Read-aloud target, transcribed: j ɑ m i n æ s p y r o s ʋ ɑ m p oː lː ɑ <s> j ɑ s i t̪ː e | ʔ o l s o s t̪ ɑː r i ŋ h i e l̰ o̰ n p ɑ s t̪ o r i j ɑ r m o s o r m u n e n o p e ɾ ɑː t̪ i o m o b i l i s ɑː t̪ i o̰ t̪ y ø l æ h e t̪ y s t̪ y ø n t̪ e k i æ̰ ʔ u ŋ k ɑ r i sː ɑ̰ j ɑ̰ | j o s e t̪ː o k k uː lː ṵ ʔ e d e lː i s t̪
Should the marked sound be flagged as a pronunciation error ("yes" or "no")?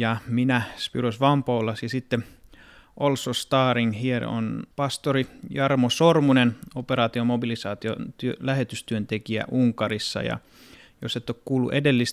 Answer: no